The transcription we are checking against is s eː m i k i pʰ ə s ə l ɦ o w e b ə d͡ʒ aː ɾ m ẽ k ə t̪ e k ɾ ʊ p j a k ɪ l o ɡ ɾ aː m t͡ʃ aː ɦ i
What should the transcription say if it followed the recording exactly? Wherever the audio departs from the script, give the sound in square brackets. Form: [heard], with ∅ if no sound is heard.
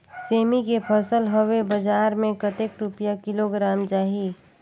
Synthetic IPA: s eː m i k [e] pʰ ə s ə l ɦ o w e b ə d͡ʒ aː ɾ m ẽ k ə t̪ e k ɾ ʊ p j a k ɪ l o ɡ ɾ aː m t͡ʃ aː ɦ i